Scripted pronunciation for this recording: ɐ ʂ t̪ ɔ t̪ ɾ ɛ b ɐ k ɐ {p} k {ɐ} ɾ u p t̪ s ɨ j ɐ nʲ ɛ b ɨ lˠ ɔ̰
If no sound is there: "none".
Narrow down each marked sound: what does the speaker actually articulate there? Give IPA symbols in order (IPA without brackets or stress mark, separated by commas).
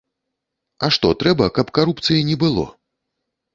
p, a